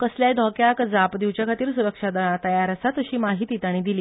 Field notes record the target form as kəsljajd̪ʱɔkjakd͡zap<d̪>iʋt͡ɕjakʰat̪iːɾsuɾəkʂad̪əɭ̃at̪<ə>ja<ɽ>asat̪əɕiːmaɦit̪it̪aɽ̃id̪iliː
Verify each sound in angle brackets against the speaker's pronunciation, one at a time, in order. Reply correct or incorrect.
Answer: correct, correct, incorrect: ɾ

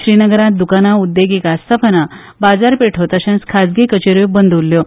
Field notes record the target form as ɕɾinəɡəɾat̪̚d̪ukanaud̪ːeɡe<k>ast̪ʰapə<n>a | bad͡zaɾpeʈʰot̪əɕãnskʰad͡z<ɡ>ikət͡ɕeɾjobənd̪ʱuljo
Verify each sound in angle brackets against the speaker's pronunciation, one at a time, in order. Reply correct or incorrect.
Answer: correct, correct, correct

